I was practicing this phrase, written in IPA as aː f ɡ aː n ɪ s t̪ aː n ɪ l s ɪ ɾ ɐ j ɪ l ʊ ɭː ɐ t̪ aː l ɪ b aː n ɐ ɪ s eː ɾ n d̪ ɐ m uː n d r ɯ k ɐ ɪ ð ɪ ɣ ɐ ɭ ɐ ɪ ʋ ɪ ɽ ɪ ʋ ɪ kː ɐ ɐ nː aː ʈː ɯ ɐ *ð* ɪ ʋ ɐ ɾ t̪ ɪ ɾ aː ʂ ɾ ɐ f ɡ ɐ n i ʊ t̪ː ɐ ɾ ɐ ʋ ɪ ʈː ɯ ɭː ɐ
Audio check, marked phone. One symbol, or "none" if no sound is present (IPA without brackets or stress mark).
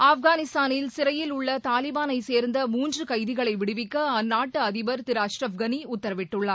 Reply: ð